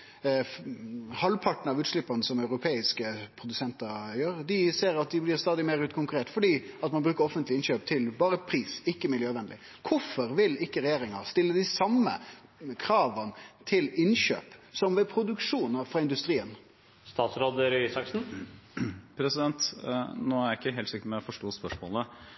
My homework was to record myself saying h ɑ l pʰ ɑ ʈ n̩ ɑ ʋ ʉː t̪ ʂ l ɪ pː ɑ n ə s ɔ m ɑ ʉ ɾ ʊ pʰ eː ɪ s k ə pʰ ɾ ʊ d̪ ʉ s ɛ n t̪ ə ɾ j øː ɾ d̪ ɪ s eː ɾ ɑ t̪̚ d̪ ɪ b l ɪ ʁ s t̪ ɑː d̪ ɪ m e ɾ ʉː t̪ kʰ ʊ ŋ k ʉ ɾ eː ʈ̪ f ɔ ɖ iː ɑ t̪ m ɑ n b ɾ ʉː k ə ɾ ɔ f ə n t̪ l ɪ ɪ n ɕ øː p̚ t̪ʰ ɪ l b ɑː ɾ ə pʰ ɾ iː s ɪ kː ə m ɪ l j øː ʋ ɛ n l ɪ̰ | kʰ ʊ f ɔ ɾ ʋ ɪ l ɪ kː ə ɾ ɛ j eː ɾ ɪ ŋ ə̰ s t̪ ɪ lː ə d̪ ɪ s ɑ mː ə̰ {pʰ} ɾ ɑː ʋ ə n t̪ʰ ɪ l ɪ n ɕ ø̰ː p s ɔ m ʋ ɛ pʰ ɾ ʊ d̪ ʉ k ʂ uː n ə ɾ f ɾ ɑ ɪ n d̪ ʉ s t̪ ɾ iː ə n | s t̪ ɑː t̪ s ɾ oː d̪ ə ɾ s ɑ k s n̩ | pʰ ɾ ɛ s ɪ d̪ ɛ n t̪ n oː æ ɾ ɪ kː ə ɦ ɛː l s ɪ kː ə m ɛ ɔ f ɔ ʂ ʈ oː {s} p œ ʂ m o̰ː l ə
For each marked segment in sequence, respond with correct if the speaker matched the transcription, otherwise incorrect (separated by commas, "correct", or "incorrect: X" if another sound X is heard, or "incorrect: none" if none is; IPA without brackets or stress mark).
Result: incorrect: kʰ, correct